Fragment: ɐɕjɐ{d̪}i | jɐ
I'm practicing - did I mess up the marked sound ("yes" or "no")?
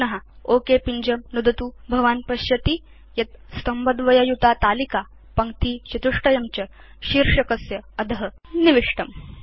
yes